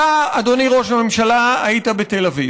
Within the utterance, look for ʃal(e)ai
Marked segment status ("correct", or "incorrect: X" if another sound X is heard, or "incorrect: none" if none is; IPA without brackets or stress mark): incorrect: a